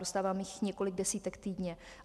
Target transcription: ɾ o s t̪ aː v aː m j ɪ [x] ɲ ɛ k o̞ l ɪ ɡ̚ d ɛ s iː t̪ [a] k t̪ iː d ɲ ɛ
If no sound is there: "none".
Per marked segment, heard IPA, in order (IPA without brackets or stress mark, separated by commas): x, ɛ